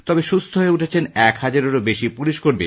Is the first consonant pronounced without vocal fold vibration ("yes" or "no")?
yes